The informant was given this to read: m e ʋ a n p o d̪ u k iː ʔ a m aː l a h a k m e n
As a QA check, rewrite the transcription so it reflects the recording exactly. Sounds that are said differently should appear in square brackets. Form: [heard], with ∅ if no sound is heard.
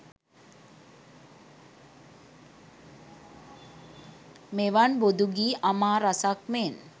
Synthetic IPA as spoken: m e ʋ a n [b] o d̪ u [ɡ] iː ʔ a m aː [ɾ] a [s] a k m e n